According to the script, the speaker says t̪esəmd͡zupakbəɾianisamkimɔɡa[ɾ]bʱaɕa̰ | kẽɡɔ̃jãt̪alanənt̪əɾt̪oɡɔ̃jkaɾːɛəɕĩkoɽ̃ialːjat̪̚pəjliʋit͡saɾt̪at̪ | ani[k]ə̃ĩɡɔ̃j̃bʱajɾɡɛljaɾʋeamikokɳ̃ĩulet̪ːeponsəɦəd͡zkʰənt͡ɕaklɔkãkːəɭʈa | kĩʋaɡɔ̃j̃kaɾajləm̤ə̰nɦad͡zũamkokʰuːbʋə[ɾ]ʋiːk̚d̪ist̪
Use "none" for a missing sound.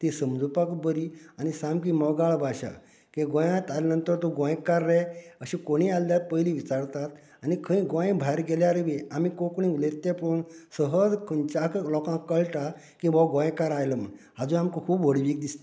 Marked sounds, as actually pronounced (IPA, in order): ɭ, kʰ, ɽ

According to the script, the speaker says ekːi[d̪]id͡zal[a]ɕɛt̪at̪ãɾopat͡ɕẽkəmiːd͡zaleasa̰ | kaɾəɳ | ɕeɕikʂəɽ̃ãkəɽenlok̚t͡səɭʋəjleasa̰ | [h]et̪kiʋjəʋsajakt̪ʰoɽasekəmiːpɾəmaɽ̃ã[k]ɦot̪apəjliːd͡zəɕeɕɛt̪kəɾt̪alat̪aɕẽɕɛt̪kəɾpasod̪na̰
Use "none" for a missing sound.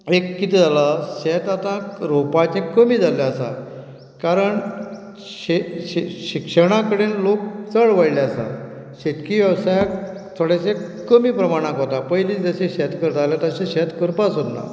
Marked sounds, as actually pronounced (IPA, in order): t̪, a, ɕ, k

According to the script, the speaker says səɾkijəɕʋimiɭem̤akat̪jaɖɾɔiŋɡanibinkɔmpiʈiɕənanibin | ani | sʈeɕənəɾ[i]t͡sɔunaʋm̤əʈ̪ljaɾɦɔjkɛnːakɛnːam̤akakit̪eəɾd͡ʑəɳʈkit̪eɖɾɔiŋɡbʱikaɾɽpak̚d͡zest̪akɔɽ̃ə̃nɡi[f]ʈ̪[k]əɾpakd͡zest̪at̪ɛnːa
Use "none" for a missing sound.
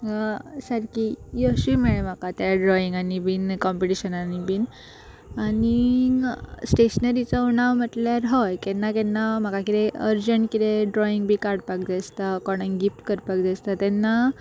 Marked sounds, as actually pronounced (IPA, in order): i, f, k

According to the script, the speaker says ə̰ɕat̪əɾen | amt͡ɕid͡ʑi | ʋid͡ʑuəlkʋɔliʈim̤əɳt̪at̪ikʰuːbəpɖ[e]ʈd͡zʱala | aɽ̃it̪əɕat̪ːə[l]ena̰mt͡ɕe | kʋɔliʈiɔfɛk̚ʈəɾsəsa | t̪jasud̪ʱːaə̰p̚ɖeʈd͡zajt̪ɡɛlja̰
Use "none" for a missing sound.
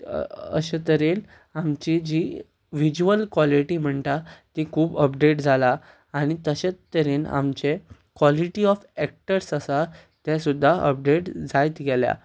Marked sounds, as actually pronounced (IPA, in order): e, ɾ

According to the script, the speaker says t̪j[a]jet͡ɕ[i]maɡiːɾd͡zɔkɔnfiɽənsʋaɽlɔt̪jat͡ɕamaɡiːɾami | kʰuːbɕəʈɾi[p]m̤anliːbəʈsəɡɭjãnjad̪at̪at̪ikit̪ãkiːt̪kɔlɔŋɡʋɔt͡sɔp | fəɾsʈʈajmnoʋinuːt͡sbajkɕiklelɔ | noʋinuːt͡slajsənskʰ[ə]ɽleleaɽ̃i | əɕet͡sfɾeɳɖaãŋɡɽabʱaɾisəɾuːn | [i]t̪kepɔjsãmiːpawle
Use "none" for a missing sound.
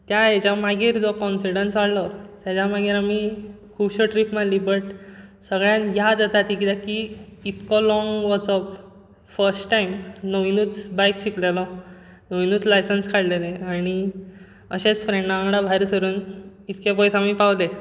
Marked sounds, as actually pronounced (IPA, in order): a, a, p, a, i

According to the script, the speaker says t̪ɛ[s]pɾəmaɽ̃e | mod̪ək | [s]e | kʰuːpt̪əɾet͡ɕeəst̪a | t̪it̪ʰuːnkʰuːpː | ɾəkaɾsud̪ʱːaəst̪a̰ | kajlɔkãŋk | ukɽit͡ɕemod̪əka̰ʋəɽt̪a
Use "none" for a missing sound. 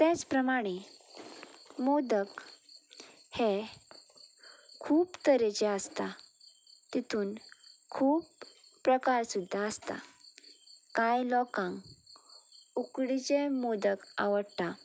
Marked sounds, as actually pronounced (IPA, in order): t͡s, h

